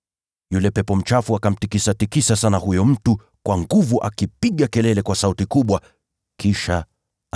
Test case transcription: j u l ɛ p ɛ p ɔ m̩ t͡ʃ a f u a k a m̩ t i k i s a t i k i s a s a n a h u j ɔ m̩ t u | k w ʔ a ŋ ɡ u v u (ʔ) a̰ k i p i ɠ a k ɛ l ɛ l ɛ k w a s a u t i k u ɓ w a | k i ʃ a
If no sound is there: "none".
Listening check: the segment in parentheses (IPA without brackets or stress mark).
ʔ